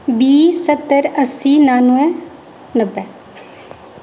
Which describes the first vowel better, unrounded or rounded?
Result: unrounded